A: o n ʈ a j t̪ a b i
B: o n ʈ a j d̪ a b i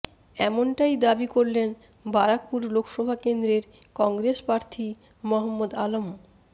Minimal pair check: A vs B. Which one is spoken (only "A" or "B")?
B